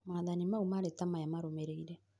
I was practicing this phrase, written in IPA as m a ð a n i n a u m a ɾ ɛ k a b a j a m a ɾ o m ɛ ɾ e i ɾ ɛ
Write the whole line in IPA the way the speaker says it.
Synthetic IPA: m a ð a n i m a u m a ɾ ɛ t a m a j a m a ɾ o m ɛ ɾ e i ɾ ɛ